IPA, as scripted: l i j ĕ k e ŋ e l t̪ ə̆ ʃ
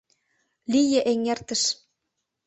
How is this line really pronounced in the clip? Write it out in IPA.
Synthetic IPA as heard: l i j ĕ ʔ e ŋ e r t̪ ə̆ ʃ